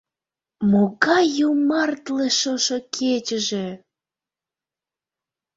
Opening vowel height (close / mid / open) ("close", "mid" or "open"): mid